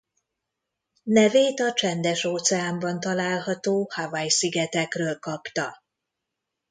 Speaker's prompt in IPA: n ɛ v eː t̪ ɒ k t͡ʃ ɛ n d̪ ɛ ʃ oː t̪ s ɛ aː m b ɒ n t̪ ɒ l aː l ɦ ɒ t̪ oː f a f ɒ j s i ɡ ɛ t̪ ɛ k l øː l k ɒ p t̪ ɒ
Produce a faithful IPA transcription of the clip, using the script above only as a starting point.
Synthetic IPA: n ɛ v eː t̪ ɒ t͡ʃ ɛ n d̪ ɛ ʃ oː t̪ s ɛ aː m b ɒ n t̪ ɒ l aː l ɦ ɒ t̪ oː h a v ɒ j s i ɡ ɛ t̪ ɛ k r øː l k ɒ p t̪ ɒ